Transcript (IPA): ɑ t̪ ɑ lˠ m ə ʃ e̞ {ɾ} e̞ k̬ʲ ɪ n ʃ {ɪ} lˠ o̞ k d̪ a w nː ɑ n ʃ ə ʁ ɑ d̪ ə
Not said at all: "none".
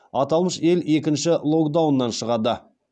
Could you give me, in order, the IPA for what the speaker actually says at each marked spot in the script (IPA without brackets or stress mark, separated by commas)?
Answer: l, ɪ